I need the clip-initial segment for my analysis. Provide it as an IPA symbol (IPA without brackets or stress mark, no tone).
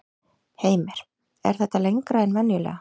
h